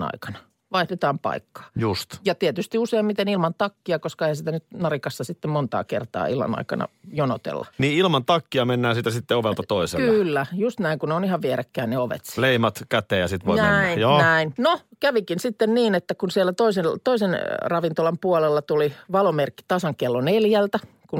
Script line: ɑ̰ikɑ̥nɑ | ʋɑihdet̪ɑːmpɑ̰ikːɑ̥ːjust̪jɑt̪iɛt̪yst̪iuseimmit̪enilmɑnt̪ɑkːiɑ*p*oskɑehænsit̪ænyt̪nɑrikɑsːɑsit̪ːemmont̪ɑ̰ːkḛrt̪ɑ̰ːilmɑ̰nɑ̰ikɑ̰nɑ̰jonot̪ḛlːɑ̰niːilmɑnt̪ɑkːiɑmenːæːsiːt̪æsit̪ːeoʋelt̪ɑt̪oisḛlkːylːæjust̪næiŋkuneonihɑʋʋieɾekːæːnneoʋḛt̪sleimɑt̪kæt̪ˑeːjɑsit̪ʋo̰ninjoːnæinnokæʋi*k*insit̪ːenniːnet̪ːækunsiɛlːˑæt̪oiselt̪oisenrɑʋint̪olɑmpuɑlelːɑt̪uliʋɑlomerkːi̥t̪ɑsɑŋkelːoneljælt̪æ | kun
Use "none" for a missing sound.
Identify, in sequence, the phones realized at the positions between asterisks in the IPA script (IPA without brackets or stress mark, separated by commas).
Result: k, k